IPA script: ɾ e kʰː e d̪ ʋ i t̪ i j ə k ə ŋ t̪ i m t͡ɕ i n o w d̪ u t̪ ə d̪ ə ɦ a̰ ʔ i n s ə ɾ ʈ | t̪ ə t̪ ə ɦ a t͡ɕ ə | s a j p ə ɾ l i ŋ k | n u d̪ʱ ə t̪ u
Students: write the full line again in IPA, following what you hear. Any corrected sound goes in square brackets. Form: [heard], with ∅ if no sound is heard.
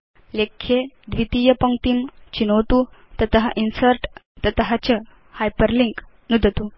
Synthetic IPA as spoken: [l] e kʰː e d̪ ʋ i t̪ i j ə [p] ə ŋ t̪ i m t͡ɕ i n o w [t̪] u t̪ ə [t̪] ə ɦ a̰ ʔ i n s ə ɾ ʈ | t̪ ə t̪ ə ɦ a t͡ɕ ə | [h] a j p ə ɾ l i ŋ k | n u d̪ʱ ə t̪ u